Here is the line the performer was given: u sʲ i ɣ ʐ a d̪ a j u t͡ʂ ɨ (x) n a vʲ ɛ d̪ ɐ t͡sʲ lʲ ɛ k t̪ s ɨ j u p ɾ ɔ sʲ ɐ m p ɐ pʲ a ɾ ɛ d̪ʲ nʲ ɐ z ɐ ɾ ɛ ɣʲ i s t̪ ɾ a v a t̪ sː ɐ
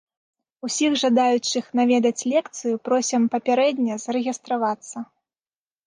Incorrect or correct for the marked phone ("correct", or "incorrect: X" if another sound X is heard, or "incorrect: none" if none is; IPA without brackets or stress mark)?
correct